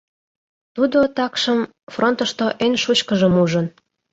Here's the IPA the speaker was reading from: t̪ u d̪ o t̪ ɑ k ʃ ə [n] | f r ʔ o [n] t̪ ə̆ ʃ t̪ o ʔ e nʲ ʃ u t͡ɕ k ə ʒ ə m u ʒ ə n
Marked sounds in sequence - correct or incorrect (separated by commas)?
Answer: incorrect, correct